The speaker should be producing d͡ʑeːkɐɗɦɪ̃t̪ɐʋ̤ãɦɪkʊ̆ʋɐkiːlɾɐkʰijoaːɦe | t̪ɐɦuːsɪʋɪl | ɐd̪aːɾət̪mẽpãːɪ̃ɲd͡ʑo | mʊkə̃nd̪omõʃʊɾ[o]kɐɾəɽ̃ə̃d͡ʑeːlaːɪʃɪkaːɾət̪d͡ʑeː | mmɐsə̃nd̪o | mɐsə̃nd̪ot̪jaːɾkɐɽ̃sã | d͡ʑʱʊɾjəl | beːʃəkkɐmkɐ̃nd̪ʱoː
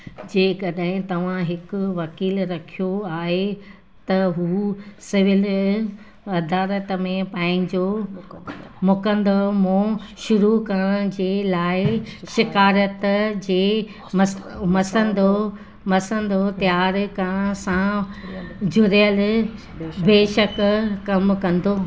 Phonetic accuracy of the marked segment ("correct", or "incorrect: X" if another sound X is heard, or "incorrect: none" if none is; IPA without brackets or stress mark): incorrect: u